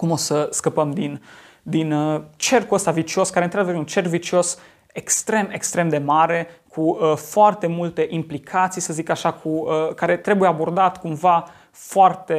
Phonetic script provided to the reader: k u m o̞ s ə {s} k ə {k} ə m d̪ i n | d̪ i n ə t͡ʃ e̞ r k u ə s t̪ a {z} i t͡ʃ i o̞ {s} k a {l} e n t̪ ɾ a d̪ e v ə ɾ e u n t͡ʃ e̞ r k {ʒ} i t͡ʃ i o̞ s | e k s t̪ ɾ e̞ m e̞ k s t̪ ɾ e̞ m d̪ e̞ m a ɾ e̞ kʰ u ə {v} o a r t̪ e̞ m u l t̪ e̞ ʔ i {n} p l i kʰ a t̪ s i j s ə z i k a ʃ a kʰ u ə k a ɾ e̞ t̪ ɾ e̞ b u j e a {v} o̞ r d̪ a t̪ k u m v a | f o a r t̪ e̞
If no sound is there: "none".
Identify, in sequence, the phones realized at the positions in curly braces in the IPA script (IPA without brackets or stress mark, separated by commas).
s, p, v, s, ɾ, v, f, m, b